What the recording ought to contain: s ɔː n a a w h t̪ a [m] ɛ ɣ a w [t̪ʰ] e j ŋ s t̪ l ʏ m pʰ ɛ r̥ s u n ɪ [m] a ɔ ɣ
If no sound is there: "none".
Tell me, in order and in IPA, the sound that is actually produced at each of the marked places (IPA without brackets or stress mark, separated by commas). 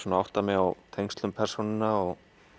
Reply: m, t̪ʰ, n